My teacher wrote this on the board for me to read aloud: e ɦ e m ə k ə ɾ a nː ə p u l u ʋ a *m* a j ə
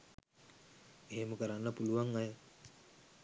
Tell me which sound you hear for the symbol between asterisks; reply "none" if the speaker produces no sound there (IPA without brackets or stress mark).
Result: ŋ